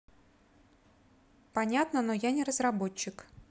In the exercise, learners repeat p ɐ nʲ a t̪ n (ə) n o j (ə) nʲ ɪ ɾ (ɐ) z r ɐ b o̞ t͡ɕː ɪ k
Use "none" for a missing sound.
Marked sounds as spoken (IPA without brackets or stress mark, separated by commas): ə, a, ə